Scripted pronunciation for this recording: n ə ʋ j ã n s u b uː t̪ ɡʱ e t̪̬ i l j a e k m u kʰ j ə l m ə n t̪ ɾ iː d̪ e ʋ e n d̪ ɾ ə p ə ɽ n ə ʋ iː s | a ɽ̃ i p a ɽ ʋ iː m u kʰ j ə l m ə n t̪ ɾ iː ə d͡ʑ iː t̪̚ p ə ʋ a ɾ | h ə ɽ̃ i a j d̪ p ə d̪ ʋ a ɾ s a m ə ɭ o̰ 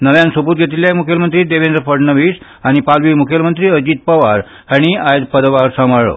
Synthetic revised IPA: n ə ʋ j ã n s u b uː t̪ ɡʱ e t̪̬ i l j a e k m u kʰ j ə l m ə n t̪ ɾ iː d̪ e ʋ e n d̪ ɾ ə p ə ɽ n ə ʋ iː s | a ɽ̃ i p a l ʋ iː m u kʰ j ə l m ə n t̪ ɾ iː ə d͡ʑ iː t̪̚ p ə ʋ a ɾ | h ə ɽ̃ i a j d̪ p ə d̪ ʋ a ɾ s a m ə ɭ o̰